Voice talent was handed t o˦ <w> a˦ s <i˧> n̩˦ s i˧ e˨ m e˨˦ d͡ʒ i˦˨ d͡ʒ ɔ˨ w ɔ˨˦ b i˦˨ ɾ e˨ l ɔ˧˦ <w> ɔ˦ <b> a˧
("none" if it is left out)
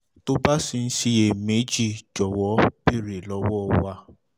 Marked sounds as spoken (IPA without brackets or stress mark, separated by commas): b, i˧, w, w